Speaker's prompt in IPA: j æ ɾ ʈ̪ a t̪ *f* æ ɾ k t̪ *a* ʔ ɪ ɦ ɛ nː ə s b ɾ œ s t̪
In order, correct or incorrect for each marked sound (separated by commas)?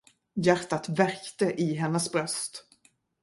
incorrect, incorrect